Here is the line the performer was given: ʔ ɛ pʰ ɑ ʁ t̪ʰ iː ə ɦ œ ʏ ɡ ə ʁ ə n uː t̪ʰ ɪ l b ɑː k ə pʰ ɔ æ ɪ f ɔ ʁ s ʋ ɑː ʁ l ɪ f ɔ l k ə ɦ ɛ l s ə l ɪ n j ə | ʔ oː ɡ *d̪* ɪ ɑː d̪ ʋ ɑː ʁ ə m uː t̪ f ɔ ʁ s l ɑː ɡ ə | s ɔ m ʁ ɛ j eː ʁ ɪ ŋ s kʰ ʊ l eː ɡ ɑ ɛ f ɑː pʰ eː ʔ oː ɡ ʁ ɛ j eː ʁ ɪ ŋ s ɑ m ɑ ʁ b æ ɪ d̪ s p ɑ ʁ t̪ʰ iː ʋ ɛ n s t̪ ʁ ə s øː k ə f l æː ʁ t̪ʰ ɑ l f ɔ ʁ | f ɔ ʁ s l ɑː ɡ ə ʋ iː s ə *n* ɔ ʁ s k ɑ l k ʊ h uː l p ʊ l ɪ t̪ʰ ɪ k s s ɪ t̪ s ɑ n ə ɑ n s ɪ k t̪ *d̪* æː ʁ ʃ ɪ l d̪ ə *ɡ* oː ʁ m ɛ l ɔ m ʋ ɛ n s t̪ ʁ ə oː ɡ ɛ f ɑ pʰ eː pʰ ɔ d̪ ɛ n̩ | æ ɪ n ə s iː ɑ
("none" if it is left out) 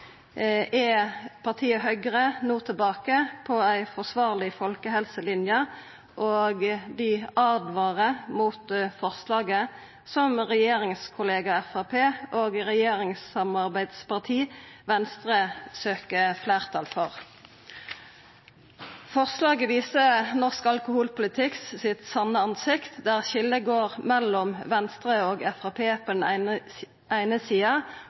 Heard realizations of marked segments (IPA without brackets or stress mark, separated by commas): d̪, n, d̪, ɡ